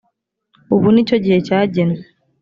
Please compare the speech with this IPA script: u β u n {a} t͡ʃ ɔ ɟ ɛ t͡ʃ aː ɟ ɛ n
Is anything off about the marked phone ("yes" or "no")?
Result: yes